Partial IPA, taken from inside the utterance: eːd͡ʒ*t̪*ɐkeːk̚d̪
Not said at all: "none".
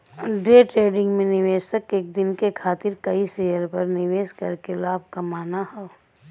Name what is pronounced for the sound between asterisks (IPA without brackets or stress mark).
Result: t̪